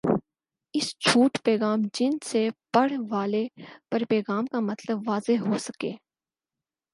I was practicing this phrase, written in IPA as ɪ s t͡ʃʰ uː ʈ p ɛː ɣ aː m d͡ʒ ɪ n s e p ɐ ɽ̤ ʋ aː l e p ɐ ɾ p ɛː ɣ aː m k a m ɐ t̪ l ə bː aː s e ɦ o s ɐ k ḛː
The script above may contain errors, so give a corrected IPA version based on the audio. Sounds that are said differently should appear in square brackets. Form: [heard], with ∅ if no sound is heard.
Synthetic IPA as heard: ɪ s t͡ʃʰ uː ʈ p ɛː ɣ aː m d͡ʒ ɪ n s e p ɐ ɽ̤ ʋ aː l e p ɐ ɾ p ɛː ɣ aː m k a m ɐ t̪ l ə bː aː [z] e ɦ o s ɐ k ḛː